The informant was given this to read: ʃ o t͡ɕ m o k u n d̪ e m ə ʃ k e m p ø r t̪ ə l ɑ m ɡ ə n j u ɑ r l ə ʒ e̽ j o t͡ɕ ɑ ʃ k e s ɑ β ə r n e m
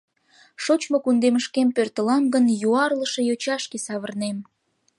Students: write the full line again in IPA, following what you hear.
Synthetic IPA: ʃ o t͡ɕ m o k u n d̪ e m ə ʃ k e m p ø r t̪ ə l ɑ m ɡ ə n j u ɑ r l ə ʃ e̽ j o t͡ɕ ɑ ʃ k e s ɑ β ə r n e m